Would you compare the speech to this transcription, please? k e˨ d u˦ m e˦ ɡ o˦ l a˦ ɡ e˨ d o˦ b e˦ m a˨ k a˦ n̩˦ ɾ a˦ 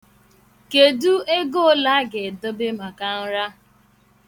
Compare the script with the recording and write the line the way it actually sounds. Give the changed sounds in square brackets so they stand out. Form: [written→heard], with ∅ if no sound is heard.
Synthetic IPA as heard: k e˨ d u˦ [m→∅] e˦ ɡ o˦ l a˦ ɡ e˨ d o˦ b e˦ m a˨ k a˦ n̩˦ ɾ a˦